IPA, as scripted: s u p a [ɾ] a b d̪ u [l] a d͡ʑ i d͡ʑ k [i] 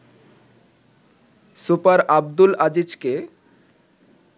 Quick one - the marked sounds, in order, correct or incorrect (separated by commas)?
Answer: correct, correct, incorrect